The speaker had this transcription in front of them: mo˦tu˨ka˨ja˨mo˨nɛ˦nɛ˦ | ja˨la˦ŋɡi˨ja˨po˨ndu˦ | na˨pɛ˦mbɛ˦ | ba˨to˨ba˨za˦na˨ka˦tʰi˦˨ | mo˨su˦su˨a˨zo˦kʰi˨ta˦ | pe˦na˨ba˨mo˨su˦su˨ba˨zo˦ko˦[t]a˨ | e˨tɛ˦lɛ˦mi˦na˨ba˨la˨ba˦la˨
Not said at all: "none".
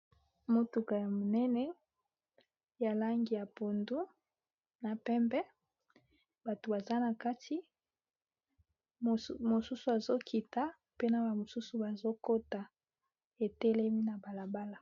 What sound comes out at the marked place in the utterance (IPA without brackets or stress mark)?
t